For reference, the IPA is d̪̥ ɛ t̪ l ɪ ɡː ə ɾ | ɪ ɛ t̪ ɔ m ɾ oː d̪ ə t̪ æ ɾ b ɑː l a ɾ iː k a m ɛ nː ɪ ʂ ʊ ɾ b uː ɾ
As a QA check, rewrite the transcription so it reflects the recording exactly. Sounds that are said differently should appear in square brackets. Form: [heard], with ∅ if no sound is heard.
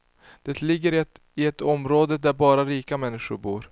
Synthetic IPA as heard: d̪̥ ɛ t̪ l ɪ ɡː ə ɾ | ɪ ɛ t̪ ɔ m ɾ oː d̪ ə [d̪] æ ɾ b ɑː [ɾ] a ɾ iː k a m ɛ nː ɪ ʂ ʊ ɾ b uː ɾ